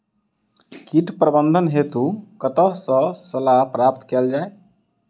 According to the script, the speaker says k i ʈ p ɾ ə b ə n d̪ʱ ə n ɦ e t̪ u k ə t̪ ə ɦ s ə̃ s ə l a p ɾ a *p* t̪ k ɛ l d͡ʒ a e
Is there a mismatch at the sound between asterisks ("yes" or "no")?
no